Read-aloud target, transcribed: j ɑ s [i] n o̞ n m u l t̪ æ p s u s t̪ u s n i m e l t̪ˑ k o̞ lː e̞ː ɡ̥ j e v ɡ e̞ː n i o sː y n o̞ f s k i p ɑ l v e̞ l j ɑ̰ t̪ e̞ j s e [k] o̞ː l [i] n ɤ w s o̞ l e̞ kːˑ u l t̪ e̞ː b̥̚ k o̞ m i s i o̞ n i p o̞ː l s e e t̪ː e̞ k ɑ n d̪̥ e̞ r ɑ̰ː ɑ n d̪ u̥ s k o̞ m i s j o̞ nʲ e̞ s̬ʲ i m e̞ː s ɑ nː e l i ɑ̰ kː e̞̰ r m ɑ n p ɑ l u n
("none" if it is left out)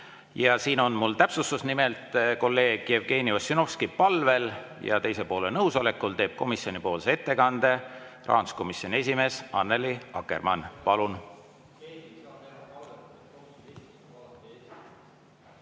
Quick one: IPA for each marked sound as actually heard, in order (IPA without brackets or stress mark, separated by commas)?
iː, p, e